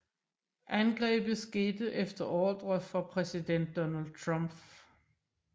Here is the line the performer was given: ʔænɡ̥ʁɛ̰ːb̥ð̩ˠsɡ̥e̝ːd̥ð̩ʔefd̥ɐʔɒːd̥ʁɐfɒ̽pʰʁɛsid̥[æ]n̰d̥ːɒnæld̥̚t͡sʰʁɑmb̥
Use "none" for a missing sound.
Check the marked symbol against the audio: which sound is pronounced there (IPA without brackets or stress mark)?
e